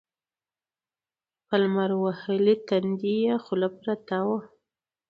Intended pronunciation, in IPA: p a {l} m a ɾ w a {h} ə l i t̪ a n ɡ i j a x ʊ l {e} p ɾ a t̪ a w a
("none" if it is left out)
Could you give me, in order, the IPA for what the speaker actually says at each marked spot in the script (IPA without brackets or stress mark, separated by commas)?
l, h, a